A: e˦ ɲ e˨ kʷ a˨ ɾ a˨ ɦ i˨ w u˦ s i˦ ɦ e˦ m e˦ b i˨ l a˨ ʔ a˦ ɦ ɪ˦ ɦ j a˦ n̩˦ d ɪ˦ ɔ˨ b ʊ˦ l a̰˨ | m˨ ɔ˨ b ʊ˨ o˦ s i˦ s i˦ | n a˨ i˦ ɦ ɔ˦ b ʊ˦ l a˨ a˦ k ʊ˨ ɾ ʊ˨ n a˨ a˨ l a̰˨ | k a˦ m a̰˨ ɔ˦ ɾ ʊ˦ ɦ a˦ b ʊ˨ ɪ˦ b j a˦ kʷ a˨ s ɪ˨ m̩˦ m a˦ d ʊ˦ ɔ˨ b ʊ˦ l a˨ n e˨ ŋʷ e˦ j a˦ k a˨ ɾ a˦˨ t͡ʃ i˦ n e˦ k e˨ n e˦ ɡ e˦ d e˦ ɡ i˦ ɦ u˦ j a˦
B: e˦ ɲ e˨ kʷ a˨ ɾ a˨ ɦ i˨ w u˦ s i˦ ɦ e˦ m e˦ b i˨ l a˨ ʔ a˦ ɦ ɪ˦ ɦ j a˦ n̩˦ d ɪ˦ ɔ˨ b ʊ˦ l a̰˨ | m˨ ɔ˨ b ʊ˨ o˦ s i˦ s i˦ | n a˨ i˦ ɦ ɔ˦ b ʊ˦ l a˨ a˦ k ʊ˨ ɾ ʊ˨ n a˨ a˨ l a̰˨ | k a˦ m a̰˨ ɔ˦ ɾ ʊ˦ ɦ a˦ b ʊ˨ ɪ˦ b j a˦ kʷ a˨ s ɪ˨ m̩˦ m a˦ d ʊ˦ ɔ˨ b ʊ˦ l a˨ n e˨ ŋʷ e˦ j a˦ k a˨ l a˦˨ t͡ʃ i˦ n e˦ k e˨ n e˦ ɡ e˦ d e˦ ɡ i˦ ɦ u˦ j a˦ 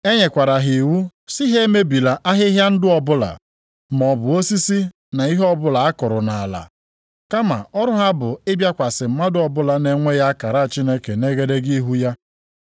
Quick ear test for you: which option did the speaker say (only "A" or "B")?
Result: A